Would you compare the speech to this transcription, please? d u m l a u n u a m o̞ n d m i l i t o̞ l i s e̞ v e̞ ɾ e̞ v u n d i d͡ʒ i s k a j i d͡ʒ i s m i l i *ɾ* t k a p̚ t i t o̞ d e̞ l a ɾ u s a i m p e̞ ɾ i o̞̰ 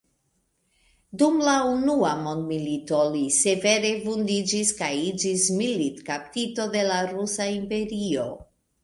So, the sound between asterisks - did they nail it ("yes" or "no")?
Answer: no